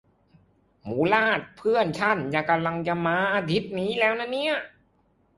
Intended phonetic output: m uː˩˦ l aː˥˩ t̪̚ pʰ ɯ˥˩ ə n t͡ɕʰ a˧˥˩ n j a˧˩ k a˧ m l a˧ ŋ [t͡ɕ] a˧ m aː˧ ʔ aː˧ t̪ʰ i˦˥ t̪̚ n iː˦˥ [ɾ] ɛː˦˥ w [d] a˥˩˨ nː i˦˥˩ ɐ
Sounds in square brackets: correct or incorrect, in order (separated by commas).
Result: correct, incorrect, incorrect